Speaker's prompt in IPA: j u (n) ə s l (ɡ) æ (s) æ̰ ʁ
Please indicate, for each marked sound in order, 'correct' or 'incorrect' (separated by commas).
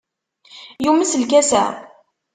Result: incorrect, incorrect, correct